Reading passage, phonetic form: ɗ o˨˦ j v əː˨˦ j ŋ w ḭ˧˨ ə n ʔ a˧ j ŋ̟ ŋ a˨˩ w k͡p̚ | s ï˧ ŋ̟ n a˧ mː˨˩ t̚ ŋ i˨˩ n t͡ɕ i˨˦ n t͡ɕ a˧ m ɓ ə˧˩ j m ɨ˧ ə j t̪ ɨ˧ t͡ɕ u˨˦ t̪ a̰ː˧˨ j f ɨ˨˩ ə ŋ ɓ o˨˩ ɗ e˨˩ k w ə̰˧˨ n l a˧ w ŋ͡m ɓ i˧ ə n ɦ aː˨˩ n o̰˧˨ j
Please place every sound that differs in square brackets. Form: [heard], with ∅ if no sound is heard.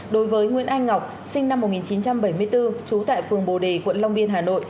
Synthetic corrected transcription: ɗ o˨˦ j v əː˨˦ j ŋ w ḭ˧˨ ə n ʔ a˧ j ŋ̟ ŋ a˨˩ w k͡p̚ | s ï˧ ŋ̟ n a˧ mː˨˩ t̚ ŋ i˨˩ n t͡ɕ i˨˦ n t͡ɕ a˧ m ɓ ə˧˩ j m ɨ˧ ə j t̪ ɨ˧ t͡ɕ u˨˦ t̪ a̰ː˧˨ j f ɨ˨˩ ə ŋ ɓ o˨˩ ɗ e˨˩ k w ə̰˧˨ n l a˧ w ŋ͡m ɓ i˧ ə n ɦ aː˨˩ n o̰˧˨ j